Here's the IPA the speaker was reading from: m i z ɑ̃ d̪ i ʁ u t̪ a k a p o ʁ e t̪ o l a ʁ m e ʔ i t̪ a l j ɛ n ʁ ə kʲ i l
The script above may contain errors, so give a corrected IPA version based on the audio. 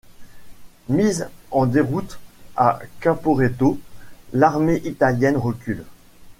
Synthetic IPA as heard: m i z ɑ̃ d̪ e ʁ u t̪ a k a p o ʁ e t̪ o l a ʁ m e ʔ i t̪ a l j ɛ n ʁ ə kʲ y l